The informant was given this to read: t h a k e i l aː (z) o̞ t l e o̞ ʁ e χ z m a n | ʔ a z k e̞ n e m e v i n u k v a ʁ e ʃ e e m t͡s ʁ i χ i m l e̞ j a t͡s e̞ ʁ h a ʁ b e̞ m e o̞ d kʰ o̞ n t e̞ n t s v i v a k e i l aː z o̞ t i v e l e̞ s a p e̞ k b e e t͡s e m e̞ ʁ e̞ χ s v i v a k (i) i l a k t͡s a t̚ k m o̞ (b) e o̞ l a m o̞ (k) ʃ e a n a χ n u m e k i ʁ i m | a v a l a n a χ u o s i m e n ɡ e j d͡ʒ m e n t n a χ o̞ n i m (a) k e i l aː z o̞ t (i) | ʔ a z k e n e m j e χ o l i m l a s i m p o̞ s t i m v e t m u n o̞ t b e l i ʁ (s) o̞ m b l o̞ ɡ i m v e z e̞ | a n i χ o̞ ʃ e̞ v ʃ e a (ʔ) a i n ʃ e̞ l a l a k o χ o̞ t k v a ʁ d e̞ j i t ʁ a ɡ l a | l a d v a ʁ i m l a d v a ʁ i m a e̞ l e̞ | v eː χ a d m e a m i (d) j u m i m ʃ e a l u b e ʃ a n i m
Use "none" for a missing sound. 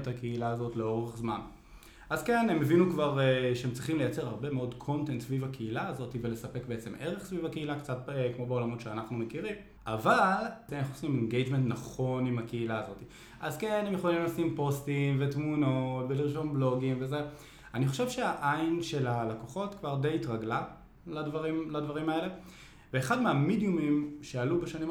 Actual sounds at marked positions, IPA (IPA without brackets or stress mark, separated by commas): z, e, b, t, a, i, ʃ, ʔ, d